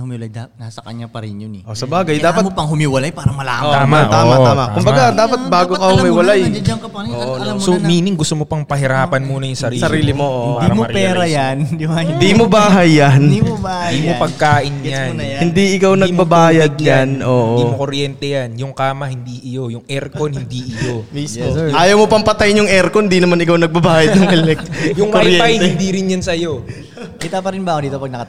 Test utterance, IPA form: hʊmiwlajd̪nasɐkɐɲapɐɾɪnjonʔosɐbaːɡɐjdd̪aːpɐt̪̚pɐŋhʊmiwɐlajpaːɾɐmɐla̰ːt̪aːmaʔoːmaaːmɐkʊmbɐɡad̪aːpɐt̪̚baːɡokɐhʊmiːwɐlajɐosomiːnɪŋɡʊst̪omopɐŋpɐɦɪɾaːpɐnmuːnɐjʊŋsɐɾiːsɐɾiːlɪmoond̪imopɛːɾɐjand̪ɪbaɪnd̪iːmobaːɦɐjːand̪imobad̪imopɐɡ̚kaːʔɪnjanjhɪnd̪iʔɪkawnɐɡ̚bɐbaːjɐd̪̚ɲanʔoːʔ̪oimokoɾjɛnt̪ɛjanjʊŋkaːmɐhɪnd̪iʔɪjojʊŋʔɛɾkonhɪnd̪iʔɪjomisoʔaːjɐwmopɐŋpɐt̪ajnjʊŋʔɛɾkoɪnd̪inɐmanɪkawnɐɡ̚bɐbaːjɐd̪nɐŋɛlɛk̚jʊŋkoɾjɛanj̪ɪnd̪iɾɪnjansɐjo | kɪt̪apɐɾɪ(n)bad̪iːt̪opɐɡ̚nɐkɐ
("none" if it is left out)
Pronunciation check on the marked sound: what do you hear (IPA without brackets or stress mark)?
n